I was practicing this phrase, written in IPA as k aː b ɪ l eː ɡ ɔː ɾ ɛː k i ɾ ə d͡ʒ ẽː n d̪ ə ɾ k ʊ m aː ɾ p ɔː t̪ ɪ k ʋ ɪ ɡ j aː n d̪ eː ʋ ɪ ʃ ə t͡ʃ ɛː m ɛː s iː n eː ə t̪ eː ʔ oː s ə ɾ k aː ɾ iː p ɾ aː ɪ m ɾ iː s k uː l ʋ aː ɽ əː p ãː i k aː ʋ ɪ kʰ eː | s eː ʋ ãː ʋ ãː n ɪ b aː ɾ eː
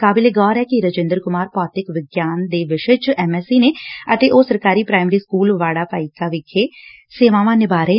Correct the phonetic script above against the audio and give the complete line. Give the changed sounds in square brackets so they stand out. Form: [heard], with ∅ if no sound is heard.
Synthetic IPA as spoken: k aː b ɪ l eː ɡ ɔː ɾ ɛː k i ɾ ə d͡ʒ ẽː n d̪ ə ɾ k ʊ m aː ɾ p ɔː t̪ ɪ k ʋ ɪ ɡ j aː n d̪ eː ʋ ɪ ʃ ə t͡ʃ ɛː m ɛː s iː n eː ə t̪ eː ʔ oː s ə ɾ k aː ɾ iː p ɾ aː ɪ m ɾ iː s k uː l ʋ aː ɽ [aː] p [aː] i k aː ʋ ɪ kʰ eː | s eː ʋ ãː ʋ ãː n ɪ b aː ɾ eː